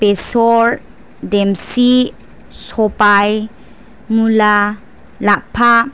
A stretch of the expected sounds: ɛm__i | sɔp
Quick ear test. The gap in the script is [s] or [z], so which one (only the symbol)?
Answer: s